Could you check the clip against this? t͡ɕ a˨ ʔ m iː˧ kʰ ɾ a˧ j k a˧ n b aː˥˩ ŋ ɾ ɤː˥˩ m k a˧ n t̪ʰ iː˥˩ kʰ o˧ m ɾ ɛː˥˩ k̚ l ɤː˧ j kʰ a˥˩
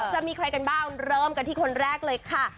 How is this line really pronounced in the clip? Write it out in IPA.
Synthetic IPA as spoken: t͡ɕ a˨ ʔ m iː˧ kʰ ɾ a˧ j k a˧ n b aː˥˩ ŋ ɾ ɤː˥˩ m k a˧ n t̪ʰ iː˥˩ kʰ o˧ n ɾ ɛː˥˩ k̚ l ɤː˧ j kʰ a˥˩